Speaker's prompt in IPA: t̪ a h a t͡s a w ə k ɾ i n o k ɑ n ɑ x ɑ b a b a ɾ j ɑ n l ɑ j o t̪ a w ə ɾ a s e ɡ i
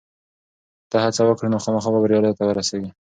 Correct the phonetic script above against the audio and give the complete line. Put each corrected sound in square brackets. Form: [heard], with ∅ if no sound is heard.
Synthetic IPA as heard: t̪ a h a t͡s a w ə k [ɽ] i n o [x] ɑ [m] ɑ x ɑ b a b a ɾ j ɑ [∅] l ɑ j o t̪ a w ə ɾ a s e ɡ i

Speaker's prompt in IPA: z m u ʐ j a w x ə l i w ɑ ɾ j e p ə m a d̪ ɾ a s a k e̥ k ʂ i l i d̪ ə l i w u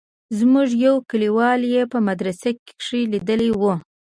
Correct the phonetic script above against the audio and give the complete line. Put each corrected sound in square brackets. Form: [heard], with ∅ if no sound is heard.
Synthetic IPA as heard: z m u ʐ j a w [k] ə l i w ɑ [l] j e p ə m a d̪ ɾ a s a k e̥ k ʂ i l i d̪ ə l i w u

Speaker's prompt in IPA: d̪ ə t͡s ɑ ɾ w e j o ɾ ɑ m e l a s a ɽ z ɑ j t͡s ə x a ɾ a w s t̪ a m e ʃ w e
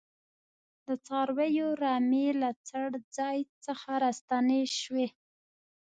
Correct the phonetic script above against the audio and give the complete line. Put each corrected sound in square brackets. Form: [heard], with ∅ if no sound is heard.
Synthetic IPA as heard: d̪ ə t͡s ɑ ɾ w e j o ɾ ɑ m e l a [t͡s] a ɽ [d͡z] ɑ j t͡s ə x a ɾ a [∅] s t̪ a [n] e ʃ w e

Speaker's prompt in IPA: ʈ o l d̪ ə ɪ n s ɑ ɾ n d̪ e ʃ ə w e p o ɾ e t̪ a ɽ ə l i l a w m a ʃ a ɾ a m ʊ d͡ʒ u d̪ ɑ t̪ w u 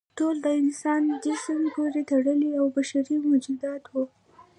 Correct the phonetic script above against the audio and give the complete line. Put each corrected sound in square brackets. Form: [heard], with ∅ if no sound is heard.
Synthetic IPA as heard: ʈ o l d̪ ə ɪ n s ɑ [∅] n d̪ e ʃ ə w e p o ɾ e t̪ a ɽ ə l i [∅] a w [b] a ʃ a ɾ [i] m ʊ d͡ʒ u d̪ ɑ t̪ w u

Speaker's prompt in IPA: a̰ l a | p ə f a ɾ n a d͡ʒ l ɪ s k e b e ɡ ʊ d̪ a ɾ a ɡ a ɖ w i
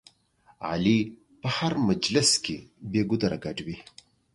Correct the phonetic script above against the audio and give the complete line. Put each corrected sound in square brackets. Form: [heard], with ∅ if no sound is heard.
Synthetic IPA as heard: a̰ l [i] | p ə [h] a ɾ [m] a d͡ʒ l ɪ s k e b e ɡ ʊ d̪ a ɾ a ɡ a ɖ w i

